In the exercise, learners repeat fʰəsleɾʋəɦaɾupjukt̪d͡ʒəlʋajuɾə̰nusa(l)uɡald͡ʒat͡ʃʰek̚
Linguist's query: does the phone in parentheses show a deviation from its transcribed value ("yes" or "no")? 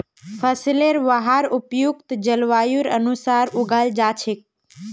yes